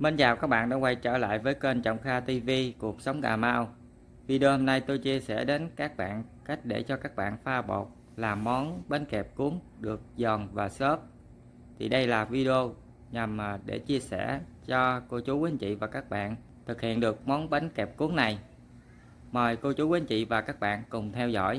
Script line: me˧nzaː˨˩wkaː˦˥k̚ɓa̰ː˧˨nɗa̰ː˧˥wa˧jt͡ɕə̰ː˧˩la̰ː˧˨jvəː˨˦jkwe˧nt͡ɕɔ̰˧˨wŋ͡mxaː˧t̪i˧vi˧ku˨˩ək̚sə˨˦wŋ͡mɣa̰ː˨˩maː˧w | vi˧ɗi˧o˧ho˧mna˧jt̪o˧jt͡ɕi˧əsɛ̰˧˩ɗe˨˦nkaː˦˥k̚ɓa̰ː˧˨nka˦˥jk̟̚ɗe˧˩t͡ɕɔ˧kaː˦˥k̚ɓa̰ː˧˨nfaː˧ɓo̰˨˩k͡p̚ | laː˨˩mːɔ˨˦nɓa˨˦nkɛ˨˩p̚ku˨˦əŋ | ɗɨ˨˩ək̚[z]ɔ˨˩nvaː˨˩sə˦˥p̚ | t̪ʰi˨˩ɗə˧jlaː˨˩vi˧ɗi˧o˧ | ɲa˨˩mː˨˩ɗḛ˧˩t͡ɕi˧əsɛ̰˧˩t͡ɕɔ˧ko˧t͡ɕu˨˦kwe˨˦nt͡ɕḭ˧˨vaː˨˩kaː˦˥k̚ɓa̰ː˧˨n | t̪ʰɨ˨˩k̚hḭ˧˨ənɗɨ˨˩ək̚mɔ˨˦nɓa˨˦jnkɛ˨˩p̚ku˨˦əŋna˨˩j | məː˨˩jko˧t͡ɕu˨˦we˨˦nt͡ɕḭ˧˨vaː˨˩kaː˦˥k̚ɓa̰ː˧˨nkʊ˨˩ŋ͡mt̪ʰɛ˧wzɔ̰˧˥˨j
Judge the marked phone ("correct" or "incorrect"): correct